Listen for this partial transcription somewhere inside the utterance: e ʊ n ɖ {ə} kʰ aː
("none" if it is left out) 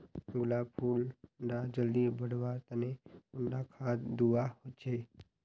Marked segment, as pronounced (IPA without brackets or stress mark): a